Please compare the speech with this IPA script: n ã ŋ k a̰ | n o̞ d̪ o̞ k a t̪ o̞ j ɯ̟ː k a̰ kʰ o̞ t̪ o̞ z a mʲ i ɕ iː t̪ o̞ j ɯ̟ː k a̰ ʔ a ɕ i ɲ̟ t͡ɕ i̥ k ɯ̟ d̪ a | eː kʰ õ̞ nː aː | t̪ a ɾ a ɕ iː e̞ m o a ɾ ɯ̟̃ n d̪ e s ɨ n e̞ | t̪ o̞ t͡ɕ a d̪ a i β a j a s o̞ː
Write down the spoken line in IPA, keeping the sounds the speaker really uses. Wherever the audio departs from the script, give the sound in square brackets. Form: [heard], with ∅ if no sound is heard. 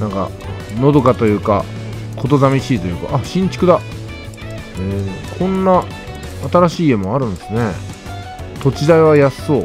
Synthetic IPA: n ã ŋ k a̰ | n o̞ d̪ o̞ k a t̪ o̞ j ɯ̟ː k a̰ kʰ o̞ t̪ o̞ z a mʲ i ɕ iː t̪ o̞ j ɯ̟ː k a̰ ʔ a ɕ [ĩ] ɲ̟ t͡ɕ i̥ k ɯ̟ d̪ a | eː kʰ õ̞ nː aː | t̪ a ɾ a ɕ iː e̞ m o a ɾ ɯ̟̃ n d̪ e s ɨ n e̞ | t̪ o̞ t͡ɕ [i] d̪ a i β a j a s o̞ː